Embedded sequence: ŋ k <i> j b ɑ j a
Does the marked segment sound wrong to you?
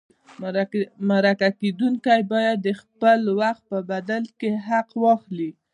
yes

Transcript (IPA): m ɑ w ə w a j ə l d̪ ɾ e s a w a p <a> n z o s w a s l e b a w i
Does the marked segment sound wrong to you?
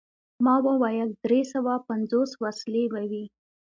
no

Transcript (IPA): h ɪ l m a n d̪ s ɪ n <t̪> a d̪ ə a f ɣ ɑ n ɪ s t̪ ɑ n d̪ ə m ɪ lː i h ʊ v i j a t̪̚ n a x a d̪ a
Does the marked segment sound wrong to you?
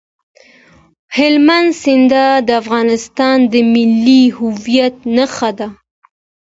yes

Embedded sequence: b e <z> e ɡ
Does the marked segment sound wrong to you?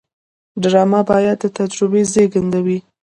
no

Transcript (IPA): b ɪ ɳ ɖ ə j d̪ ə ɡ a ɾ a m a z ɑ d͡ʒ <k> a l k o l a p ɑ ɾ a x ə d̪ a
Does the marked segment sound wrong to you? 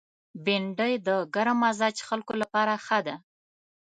yes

